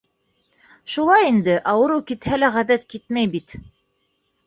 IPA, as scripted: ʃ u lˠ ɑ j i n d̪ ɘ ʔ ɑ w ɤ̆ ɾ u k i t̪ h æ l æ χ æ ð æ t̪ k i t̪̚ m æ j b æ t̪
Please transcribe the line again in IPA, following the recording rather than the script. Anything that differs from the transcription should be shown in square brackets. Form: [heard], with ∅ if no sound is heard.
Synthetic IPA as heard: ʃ u lˠ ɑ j i n d̪ ɘ ʔ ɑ w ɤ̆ ɾ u k i t̪ h æ l æ [ʁ] æ ð æ t̪ k i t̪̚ m æ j b [i] t̪